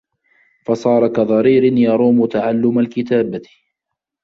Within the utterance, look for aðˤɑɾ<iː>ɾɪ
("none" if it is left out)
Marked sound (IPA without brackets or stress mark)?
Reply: iː